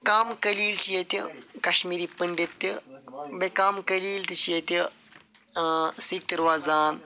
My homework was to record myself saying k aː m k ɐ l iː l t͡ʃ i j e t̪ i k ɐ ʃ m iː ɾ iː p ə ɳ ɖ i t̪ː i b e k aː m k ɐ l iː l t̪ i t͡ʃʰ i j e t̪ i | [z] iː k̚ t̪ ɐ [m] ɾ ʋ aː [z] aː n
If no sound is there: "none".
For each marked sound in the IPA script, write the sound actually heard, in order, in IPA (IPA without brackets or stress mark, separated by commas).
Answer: s, none, z